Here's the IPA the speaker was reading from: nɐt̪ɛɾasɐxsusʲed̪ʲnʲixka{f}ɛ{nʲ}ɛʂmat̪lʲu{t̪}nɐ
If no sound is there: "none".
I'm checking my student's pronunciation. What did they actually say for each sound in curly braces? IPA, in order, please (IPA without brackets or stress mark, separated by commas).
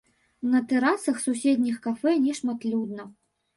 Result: f, nʲ, d̪